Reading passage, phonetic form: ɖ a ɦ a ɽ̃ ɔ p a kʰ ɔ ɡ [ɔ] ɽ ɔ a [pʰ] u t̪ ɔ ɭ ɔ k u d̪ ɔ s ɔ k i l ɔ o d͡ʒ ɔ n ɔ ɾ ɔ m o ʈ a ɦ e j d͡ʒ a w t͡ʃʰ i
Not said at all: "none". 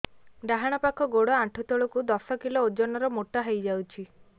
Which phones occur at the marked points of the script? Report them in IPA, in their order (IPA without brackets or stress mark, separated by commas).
o, ʈʰ